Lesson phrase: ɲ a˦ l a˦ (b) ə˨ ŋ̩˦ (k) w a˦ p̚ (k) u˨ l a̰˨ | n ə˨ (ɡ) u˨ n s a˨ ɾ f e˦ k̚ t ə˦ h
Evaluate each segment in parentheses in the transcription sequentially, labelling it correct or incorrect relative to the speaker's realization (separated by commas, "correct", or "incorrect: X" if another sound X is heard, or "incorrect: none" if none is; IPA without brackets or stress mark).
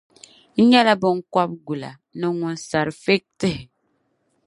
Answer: correct, correct, incorrect: ɡ, incorrect: ŋ